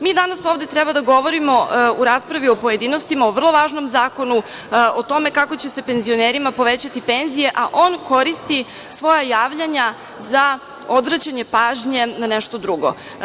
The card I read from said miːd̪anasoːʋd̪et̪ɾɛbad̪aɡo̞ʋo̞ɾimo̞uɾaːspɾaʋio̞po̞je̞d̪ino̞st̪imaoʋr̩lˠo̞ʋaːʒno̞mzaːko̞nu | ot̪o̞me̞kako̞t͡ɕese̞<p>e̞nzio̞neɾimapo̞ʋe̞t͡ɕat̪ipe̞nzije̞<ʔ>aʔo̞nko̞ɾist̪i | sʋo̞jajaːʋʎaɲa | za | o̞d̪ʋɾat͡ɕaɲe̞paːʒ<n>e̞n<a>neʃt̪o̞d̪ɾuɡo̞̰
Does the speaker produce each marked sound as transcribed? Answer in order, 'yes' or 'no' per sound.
yes, yes, no, yes

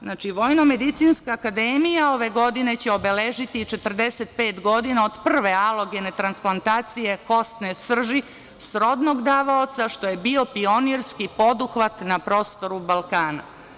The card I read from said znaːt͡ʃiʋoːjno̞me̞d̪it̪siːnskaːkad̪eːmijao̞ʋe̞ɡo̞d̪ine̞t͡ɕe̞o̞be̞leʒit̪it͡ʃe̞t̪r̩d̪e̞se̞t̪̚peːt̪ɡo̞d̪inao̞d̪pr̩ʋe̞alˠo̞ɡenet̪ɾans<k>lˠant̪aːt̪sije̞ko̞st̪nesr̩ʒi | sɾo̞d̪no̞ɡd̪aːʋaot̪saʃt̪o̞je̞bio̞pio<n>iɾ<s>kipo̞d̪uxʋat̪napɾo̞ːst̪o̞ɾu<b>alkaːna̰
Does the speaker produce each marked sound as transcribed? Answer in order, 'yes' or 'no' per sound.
no, yes, yes, yes

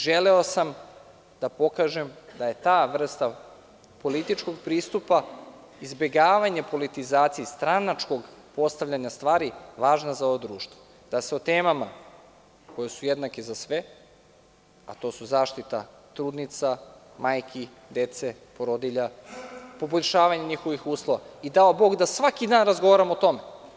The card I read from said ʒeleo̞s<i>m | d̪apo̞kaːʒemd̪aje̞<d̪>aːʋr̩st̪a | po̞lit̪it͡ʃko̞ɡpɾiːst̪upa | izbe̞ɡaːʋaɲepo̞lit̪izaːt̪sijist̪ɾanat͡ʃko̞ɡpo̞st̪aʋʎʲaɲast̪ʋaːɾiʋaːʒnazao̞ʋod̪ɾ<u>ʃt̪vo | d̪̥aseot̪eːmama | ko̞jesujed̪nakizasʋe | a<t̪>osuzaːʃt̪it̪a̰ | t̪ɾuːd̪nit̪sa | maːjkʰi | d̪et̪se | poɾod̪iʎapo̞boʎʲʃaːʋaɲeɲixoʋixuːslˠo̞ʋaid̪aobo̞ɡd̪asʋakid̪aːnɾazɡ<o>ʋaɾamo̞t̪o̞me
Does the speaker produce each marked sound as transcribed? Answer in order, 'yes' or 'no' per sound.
no, no, no, yes, yes

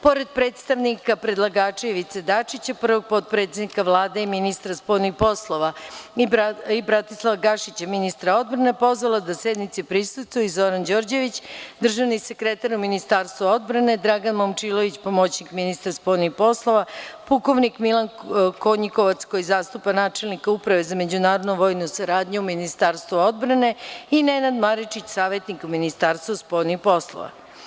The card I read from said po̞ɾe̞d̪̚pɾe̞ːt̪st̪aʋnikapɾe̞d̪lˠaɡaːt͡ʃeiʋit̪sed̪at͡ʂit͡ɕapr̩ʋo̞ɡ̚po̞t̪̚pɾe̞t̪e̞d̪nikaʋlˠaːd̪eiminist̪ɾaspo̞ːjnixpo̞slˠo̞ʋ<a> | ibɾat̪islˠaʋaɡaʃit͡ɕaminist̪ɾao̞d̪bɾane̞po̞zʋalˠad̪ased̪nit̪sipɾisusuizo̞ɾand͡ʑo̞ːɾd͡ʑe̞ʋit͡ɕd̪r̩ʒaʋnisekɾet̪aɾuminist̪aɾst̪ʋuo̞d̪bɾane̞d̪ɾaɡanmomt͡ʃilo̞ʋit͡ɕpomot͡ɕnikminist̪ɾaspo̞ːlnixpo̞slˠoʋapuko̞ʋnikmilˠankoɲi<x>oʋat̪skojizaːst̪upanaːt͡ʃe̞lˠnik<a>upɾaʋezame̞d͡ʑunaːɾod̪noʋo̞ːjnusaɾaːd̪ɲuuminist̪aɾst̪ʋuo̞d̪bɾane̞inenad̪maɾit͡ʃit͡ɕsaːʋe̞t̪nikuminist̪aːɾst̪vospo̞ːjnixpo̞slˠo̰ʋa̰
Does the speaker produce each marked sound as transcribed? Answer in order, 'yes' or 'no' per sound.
yes, no, yes

